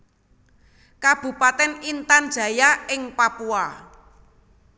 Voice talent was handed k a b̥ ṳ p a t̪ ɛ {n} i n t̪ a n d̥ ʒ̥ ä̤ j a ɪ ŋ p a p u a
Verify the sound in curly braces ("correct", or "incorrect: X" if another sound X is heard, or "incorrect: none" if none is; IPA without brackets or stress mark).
correct